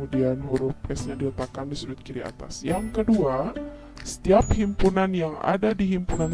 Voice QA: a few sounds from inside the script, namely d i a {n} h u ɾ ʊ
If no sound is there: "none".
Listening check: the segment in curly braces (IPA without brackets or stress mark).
n